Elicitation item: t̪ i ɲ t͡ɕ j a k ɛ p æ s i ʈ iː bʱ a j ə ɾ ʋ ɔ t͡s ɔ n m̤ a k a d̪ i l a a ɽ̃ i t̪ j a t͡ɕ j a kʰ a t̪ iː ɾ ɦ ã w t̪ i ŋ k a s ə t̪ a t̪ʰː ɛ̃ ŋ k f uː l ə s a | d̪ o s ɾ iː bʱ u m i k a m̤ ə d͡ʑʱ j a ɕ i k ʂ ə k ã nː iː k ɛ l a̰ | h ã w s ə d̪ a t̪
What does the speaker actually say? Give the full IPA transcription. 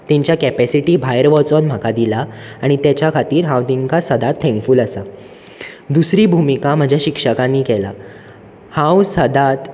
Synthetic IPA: t̪ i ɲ t͡ɕ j a k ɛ p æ s i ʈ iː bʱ a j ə ɾ ʋ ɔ t͡s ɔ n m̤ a k a d̪ i l a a ɽ̃ i t̪ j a t͡ɕ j a kʰ a t̪ iː ɾ ɦ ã w t̪ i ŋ k a s ə d̪ a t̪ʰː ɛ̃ ŋ k f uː l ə s a | d̪ u s ɾ iː bʱ u m i k a m̤ ə d͡ʑʱ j a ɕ i k ʂ ə k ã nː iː k ɛ l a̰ | h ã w s ə d̪ a t̪